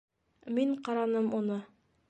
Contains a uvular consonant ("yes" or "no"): yes